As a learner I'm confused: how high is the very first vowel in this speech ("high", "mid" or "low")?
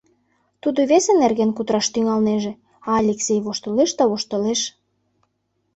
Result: high